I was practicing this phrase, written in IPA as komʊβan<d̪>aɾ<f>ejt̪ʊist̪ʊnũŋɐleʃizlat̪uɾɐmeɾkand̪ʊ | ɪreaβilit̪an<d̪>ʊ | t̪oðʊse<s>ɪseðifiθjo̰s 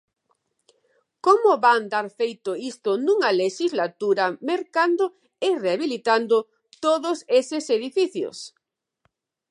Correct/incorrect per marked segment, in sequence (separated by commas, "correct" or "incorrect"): correct, correct, correct, correct